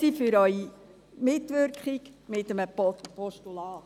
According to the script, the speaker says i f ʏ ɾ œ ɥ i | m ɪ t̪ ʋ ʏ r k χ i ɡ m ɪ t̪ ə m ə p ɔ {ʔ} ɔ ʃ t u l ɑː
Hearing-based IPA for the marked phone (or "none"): p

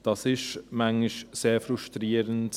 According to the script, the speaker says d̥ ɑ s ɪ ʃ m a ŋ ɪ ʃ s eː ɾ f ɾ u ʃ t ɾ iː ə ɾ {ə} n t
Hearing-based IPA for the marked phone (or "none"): ə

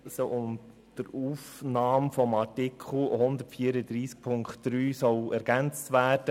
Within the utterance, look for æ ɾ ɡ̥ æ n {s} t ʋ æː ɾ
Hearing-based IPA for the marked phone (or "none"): t͡s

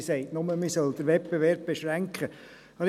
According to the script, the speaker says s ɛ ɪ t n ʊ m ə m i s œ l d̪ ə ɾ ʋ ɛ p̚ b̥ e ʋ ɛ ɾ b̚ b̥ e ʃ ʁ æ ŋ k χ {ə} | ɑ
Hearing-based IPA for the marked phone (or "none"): ə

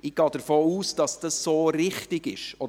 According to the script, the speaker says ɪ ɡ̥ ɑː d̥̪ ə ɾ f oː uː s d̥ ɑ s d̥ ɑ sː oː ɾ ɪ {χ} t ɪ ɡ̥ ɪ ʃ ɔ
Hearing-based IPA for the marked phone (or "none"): χ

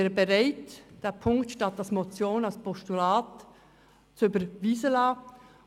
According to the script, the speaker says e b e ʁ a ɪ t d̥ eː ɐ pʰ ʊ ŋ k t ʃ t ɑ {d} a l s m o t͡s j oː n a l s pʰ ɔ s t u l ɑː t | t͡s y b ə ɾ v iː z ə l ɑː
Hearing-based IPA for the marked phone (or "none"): t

